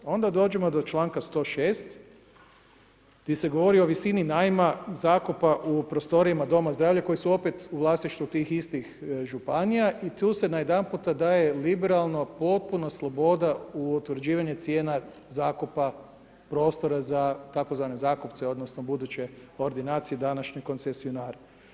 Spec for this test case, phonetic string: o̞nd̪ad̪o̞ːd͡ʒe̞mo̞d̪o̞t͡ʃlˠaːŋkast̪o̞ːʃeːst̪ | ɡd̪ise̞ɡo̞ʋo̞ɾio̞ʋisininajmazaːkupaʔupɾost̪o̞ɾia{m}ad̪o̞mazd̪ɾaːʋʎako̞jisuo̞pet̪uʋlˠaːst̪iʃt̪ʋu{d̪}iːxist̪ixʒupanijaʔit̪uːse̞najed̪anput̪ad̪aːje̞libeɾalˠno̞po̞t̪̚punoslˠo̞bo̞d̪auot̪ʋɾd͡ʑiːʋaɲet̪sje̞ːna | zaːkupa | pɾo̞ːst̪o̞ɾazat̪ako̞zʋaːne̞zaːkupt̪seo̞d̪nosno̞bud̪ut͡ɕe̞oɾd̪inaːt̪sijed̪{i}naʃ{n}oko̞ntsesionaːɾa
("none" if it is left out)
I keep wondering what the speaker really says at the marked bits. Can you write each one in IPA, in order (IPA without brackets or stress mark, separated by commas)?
m, t̪, a, ɲ